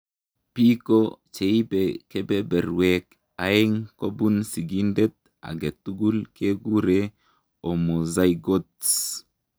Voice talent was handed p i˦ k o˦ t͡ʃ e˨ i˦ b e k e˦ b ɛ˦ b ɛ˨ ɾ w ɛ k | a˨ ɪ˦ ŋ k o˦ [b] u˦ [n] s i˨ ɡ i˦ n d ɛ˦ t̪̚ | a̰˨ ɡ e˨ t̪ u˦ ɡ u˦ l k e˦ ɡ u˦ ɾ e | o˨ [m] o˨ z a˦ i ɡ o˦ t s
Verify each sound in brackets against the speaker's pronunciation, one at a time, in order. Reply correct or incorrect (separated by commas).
correct, correct, correct